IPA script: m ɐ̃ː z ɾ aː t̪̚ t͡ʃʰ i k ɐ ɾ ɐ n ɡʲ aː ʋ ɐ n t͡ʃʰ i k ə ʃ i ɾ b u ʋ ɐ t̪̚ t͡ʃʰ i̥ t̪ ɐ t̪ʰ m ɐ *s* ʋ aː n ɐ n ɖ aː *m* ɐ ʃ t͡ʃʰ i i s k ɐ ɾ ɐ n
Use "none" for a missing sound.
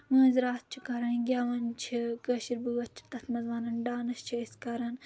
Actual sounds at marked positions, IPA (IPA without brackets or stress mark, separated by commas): z, n